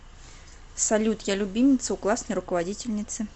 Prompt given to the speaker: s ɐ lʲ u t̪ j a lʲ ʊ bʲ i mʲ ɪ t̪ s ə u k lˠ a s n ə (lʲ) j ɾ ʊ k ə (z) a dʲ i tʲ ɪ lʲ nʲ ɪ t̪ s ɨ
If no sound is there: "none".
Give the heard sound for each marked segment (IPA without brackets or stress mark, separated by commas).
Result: none, v